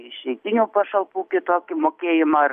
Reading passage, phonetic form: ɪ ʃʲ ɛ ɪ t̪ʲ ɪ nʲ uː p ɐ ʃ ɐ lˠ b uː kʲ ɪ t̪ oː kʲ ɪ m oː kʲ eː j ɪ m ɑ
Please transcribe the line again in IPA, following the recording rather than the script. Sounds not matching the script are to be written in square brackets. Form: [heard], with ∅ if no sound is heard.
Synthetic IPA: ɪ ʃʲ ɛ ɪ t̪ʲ ɪ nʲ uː p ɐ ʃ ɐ lˠ [p] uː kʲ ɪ t̪ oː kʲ ɪ m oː kʲ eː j ɪ m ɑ